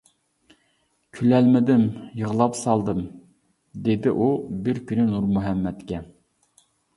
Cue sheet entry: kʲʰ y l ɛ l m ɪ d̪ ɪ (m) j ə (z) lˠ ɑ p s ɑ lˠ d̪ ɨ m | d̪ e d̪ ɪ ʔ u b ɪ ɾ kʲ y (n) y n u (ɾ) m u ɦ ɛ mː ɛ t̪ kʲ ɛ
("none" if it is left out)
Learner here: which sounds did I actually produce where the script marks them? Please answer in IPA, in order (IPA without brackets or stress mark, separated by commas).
m, ʁ, n, ɾ